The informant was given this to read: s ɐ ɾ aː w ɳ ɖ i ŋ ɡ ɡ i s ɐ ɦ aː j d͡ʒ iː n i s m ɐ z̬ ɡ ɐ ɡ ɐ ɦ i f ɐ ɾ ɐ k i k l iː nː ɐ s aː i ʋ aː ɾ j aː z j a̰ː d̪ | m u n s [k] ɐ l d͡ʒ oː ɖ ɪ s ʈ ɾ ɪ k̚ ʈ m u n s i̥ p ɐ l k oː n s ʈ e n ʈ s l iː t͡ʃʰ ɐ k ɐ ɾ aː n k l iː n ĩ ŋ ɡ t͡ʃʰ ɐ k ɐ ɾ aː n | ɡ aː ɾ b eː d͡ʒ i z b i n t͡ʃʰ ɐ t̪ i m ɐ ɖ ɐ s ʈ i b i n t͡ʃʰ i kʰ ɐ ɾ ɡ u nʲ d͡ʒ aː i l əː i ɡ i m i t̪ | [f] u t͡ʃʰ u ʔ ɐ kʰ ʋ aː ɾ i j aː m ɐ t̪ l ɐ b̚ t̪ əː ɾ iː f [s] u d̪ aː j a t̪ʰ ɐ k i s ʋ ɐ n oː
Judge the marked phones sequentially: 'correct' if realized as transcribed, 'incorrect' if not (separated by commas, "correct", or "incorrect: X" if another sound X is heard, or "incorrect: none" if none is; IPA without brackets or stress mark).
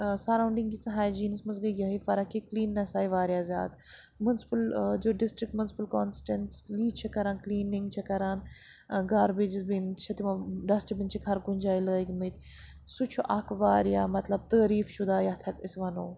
incorrect: p, incorrect: s, incorrect: ʃ